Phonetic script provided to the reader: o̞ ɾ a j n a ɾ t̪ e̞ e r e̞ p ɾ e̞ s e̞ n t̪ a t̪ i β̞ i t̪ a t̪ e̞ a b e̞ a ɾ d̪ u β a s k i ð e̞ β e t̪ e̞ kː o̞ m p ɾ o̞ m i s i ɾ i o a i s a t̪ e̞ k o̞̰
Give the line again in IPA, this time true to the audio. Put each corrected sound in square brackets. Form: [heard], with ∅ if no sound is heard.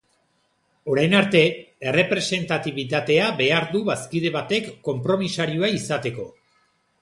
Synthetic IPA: o̞ ɾ a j n a ɾ t̪ e̞ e r e̞ p ɾ e̞ s e̞ n t̪ a t̪ i β̞ i t̪ a t̪ e̞ a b e̞ a ɾ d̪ u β a s k i ð e̞ β [a] t̪ e̞ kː o̞ m p ɾ o̞ m i s [a] ɾ i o a i s a t̪ e̞ k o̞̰